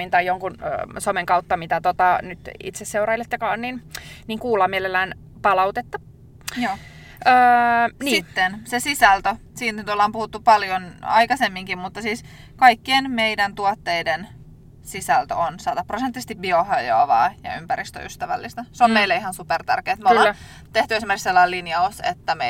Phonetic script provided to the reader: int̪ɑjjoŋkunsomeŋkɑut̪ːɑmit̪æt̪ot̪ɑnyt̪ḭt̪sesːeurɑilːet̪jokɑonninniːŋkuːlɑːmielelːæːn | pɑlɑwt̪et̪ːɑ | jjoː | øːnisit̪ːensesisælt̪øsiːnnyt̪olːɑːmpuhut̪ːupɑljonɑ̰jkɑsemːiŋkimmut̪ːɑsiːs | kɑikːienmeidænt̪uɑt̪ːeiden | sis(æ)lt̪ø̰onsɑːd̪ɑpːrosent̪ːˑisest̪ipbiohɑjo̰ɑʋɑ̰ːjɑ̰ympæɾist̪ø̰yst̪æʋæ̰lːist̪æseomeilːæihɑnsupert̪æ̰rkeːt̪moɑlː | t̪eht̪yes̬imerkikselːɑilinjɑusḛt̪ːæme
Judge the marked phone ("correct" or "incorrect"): correct